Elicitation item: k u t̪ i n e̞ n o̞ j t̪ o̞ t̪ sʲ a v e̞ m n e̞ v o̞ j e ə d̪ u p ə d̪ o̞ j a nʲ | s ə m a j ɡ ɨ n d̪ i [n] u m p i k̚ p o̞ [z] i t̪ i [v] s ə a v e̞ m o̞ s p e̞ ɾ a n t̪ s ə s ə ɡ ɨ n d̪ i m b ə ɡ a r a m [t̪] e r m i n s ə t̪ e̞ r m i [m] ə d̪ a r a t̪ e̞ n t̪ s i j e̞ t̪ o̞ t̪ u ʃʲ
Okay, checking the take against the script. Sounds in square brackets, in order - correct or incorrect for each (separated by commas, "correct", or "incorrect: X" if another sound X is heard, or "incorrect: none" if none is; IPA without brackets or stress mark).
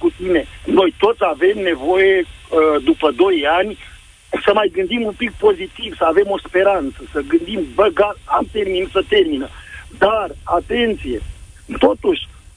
incorrect: m, correct, correct, correct, incorrect: n